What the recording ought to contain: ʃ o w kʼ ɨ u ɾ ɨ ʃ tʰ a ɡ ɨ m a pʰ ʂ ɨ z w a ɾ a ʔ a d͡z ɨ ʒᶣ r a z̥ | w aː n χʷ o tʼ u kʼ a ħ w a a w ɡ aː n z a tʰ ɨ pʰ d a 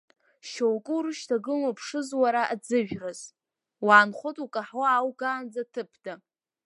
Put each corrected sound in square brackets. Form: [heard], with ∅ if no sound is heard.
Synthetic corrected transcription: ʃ o w kʼ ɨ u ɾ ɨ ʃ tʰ a ɡ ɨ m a pʰ ʂ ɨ z w a ɾ a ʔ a d͡z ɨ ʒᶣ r a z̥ | w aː n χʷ o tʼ u kʼ a ħ w a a w ɡ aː n [d͡z] a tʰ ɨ pʰ d a